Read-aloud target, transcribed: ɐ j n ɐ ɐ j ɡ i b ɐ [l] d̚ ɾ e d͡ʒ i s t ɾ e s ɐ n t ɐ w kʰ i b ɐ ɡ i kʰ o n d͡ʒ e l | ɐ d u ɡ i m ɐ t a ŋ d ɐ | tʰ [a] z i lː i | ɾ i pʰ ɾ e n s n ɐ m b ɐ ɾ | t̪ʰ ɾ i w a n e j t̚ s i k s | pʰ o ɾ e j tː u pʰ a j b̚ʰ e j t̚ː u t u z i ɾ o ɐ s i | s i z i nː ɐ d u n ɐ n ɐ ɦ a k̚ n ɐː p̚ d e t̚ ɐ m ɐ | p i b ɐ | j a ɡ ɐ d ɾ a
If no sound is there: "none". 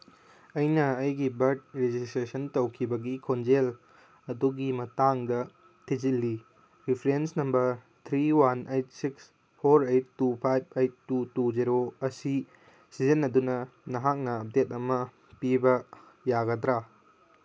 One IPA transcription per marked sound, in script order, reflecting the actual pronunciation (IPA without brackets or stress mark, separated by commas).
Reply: ɾ, i